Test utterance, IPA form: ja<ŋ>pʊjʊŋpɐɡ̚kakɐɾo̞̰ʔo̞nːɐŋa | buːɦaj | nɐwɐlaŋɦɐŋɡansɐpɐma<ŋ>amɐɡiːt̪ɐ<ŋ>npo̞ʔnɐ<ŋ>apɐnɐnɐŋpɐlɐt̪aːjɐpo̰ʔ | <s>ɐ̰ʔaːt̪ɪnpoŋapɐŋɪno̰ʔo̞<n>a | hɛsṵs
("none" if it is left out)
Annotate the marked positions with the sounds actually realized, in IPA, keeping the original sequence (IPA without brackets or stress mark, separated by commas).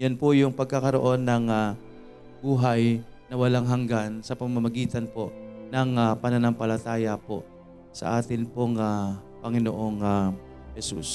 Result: n, m, none, ŋ, s, ŋ